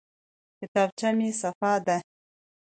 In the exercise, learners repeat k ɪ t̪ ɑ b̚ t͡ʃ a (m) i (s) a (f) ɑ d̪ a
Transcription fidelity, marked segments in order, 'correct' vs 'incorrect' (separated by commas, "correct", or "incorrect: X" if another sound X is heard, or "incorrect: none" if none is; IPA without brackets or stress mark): correct, correct, correct